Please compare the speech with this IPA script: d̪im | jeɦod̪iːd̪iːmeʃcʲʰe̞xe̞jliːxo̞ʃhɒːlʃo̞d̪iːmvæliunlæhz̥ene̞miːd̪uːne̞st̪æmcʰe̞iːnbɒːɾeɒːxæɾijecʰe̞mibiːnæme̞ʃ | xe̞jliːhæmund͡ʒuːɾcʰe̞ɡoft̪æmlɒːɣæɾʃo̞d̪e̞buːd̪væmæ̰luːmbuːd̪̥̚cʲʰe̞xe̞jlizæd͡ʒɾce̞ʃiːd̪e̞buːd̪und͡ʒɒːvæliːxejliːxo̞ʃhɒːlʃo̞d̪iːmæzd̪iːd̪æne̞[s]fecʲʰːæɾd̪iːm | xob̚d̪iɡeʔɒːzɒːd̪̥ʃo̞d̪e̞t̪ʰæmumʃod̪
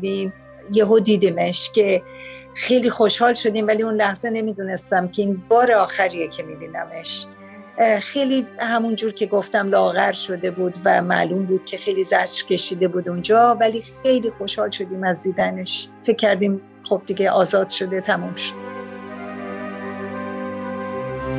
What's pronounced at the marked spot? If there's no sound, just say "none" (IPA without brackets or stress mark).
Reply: ʃ